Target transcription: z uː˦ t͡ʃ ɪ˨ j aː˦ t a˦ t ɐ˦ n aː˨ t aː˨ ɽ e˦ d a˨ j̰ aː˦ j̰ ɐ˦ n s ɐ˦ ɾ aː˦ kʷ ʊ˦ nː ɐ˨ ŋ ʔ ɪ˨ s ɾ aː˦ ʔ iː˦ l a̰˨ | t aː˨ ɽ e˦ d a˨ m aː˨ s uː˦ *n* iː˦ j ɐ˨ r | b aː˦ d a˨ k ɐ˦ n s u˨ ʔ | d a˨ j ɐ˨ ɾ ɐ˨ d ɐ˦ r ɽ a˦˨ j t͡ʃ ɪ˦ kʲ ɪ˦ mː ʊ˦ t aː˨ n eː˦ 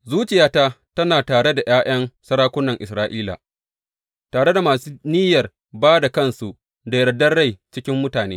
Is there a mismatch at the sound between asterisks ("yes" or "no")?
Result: no